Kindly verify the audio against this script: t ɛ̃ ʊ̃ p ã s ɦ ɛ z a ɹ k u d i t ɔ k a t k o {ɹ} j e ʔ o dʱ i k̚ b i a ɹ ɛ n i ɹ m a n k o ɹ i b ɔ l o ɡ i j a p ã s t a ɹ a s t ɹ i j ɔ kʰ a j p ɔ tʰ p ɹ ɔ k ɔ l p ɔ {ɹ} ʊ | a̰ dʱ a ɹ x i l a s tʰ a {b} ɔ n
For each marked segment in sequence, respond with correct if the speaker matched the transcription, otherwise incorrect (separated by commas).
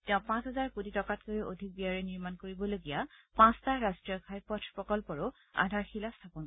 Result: incorrect, correct, incorrect